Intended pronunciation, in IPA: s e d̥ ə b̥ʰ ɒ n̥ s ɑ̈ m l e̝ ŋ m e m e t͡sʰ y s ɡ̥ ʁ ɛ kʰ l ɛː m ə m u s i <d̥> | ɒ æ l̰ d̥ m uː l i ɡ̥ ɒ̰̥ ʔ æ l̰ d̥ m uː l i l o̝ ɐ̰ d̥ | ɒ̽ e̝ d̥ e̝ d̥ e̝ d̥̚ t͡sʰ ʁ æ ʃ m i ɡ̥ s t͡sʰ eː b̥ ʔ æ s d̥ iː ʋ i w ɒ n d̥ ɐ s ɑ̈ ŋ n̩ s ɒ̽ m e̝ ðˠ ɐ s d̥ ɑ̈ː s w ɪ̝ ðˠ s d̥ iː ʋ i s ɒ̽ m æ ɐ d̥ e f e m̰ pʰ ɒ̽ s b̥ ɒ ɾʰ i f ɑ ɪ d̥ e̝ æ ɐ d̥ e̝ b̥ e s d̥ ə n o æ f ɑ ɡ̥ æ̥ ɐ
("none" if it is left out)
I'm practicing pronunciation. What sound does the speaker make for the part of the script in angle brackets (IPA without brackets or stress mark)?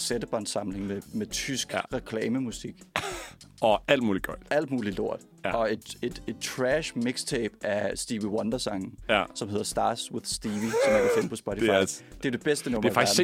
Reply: ɡ̥